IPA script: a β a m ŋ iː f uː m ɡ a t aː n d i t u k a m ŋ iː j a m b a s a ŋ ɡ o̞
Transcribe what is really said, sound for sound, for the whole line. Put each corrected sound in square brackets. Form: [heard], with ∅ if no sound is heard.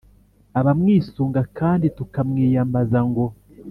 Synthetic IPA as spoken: a β a m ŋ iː [s] uː [ŋ] ɡ a [k] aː n d i t u k a m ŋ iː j a m b a [z] a ŋ ɡ o̞